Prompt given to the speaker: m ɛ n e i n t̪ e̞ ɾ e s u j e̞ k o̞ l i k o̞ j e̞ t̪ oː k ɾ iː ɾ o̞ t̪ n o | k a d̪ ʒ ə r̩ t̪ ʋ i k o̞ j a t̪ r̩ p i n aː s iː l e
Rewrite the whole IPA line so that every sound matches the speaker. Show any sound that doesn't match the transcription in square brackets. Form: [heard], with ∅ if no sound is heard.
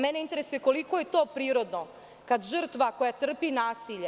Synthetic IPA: m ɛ n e i n t̪ e̞ ɾ e s u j e̞ k o̞ l i k o̞ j e̞ t̪ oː [p] ɾ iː ɾ o̞ [d̪] n o | k a d̪ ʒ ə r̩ t̪ ʋ [a] k o̞ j a t̪ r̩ p i n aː s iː [ʎ] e